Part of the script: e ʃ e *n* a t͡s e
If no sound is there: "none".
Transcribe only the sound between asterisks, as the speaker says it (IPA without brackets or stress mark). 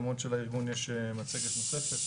m